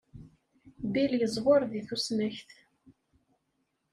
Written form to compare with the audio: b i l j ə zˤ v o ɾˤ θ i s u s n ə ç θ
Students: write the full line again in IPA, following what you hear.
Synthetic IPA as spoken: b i l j ə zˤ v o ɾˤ ð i θ u s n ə ç θ

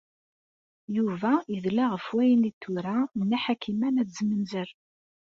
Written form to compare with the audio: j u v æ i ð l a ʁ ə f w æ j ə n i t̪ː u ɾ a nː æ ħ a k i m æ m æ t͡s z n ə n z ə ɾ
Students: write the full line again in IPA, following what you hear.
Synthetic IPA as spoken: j u v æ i ð l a ʁ ə f w æ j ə n i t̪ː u ɾ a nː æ ħ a k i m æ n æ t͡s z m ə n z ə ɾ

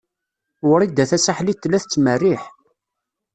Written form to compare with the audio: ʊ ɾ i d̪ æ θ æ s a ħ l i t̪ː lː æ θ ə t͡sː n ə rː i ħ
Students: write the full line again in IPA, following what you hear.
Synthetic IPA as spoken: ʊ ɾ i d̪ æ θ æ s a ħ l i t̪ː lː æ θ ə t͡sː m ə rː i ħ

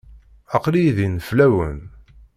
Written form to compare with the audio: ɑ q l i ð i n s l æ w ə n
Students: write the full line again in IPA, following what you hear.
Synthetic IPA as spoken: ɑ q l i ð i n f l æ w ə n

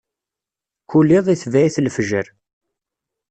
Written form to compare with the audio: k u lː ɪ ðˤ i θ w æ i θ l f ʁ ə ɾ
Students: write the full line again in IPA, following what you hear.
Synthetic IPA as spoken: k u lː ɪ ðˤ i θ v æ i θ l f ʒ ə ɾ

